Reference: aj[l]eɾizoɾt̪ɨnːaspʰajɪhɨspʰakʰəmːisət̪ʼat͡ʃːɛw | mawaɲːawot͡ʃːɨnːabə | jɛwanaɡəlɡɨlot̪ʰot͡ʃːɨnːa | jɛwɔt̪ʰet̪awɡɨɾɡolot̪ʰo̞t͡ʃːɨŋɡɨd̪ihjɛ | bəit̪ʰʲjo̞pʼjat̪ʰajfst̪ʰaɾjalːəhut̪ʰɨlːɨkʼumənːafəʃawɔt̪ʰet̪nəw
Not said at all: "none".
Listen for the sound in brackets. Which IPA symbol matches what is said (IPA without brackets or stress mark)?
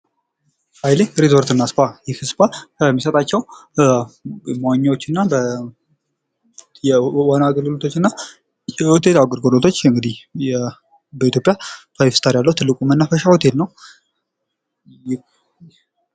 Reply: l